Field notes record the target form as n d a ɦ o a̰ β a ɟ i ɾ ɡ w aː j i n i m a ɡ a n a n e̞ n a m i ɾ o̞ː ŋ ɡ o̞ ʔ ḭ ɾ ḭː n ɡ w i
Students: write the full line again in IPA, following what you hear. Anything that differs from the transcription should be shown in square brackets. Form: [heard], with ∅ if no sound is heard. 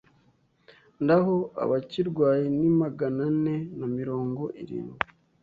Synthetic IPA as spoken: n d a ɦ o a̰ β a [c] i ɾ ɡ w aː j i n i m a ɡ a n a n e̞ n a m i ɾ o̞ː ŋ ɡ o̞ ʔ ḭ ɾ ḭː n ɡ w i